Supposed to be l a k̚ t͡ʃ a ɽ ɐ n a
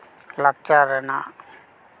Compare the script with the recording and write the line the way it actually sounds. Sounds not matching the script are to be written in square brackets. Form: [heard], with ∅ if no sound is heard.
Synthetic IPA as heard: l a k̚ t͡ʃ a [ɾ] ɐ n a